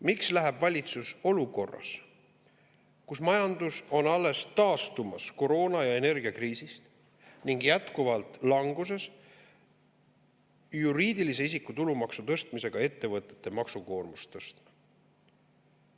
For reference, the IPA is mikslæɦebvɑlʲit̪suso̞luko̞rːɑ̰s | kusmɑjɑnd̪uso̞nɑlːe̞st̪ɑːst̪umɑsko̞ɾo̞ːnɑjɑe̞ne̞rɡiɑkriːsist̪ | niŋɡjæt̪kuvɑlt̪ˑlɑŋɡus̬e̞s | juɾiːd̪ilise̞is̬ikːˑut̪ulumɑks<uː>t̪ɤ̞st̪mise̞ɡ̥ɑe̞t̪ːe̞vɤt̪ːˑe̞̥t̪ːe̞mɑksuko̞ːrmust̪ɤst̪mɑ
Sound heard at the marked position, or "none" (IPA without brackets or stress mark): u